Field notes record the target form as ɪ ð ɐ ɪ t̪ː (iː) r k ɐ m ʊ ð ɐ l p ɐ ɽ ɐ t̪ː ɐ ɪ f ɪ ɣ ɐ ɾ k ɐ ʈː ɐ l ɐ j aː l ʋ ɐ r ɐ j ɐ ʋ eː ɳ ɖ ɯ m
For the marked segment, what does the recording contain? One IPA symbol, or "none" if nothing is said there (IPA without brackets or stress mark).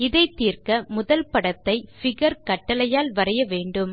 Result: iː